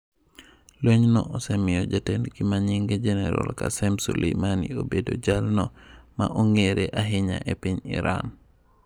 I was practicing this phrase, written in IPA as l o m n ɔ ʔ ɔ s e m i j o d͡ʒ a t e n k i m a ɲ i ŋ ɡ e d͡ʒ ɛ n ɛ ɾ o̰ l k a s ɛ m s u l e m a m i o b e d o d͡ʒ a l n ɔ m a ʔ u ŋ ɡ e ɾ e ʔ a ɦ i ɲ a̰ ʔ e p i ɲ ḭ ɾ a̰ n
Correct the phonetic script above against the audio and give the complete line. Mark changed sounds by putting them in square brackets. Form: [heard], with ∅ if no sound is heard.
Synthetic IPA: l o [ɲ] n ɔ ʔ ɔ s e m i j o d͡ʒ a t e n k i m a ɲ i ŋ ɡ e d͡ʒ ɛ n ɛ ɾ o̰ l k a s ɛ m s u l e m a [n] i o b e d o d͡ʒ a l n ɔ m a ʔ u ŋ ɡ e ɾ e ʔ a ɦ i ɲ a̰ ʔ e p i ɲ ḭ ɾ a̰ n